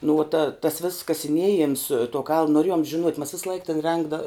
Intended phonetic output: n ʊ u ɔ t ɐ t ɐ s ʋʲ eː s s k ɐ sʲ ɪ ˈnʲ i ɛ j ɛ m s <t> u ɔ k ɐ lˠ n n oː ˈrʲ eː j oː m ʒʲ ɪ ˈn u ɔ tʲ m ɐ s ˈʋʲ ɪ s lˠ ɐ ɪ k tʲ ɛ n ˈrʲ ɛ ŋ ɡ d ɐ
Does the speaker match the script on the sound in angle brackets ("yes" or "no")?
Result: yes